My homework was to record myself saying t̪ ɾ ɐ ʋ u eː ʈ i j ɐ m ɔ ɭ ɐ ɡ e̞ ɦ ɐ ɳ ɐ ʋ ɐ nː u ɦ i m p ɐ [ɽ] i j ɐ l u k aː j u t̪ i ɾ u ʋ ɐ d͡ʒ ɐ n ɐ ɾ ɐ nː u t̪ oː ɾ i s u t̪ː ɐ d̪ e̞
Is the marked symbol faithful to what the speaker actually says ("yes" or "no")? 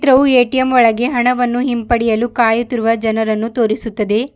yes